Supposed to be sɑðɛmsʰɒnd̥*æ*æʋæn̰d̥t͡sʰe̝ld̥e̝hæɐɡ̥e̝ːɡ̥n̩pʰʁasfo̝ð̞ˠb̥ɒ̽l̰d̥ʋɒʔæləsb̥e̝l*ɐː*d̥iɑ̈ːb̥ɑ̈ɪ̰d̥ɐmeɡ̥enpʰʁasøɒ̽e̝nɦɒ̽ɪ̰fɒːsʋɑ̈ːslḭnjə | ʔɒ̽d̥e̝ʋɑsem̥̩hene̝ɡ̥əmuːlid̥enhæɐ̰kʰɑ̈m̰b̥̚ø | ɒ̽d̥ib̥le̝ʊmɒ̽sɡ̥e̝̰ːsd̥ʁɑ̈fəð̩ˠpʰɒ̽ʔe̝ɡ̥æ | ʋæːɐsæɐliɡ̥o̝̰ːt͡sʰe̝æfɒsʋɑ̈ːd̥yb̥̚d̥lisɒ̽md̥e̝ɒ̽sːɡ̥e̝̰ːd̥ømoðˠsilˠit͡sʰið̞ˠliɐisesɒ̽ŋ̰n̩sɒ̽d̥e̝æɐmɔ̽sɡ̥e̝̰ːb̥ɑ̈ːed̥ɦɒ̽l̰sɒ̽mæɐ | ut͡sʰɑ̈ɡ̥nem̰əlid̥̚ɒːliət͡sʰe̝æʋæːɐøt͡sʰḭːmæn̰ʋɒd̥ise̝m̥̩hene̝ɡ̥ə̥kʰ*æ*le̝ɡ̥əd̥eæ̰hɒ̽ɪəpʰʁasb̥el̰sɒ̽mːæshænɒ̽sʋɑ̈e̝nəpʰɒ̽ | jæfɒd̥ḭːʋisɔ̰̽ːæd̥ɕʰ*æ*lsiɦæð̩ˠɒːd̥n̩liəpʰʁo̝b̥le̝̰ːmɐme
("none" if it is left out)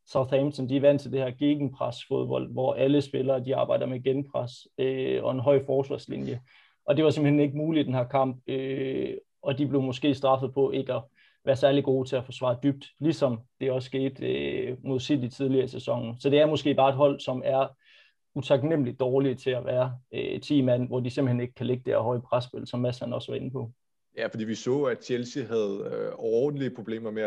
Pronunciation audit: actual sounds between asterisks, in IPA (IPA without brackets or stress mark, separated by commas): i, ɐː, æ, e